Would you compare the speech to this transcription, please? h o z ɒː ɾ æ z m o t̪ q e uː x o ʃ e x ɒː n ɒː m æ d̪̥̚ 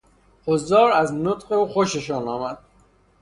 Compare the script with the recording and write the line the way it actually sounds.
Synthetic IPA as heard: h o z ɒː ɾ æ z n o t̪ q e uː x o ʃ e ʃ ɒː n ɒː m æ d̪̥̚